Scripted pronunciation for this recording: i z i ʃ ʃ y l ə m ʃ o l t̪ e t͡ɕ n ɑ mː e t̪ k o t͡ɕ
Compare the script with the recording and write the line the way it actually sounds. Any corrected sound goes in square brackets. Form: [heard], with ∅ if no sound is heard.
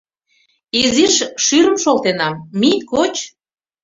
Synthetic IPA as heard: i z i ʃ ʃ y [ɾ] ə m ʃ o l t̪ e [∅] n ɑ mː [i] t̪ k o t͡ɕ